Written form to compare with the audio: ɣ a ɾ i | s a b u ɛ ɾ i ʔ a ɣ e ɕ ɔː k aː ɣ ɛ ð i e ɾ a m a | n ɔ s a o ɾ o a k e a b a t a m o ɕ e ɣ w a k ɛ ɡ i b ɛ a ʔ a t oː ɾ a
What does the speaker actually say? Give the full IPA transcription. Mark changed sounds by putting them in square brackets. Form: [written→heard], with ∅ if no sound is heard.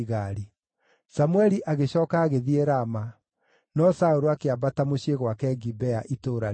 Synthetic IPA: ɣ a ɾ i | s a [b→m] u ɛ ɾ i ʔ a ɣ e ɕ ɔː k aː ɣ [ɛ→e] ð i e ɾ a m a | n ɔ s a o ɾ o a k e a b a t a m o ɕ e ɣ w a k ɛ ɡ i b ɛ a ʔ [a→i] t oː ɾ a